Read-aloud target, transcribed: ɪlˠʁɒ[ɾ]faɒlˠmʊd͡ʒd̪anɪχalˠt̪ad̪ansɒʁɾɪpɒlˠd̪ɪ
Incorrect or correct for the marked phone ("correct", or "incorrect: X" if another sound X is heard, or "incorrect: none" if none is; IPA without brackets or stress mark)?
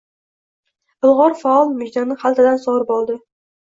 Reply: correct